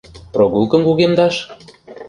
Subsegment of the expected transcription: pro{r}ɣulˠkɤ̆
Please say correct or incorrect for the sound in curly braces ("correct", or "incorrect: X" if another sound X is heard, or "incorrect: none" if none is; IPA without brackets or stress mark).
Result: incorrect: none